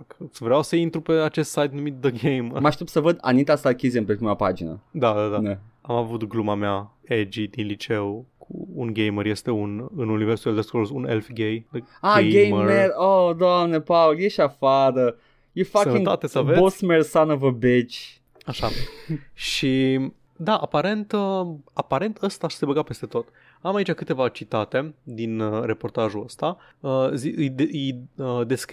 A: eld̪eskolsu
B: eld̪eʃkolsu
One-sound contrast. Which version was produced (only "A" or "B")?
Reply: A